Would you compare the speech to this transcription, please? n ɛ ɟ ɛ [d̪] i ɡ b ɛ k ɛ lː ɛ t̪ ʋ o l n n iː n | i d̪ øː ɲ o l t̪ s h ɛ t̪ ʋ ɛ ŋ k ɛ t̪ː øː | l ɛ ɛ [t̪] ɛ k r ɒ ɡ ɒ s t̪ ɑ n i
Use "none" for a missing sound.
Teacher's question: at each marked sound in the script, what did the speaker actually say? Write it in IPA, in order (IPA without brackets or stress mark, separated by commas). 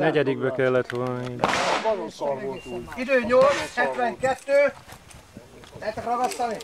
d̪, t̪